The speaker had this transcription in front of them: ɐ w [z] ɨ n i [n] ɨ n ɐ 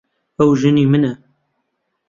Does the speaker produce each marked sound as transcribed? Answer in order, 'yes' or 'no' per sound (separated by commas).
no, no